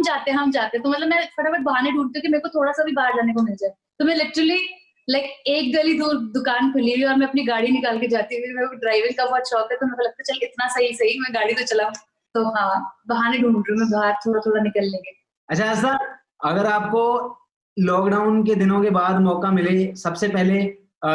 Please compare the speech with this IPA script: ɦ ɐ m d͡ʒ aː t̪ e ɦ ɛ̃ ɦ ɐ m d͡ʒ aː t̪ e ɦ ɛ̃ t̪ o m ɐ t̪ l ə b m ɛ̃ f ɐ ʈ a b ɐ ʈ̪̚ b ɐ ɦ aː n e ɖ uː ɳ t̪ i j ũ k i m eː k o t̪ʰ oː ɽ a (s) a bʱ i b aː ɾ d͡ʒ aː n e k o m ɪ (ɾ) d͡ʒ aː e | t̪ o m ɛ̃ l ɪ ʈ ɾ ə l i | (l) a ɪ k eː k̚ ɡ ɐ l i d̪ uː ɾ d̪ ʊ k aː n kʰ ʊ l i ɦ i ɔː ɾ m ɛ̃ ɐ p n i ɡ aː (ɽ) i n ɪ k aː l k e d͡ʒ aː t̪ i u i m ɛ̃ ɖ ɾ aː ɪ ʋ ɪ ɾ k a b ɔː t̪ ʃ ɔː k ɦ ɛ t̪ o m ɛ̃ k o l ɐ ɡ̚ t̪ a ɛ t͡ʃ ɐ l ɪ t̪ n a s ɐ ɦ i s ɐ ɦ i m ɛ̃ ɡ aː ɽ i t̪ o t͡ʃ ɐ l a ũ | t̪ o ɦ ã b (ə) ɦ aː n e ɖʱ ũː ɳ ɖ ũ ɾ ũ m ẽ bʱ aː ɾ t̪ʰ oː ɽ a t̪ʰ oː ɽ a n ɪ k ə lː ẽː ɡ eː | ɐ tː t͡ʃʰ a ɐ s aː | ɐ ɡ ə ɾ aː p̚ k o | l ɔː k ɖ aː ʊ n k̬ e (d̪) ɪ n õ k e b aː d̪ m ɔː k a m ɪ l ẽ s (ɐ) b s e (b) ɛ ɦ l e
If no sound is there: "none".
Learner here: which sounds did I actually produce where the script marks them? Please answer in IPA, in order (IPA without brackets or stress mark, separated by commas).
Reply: s, l, l, ɽ, ɐ, d̪, ɐ, p